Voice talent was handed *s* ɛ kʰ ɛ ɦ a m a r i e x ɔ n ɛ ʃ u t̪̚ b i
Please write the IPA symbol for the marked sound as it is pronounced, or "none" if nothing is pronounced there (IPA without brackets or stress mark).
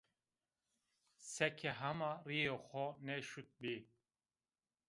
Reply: s